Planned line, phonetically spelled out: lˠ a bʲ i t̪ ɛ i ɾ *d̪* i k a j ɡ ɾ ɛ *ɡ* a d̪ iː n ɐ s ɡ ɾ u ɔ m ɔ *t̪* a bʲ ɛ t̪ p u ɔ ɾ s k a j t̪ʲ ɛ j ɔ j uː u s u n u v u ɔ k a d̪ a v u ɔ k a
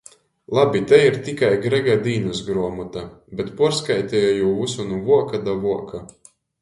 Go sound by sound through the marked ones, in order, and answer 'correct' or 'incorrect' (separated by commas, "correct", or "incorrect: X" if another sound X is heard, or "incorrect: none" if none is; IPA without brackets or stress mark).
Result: incorrect: t̪, correct, correct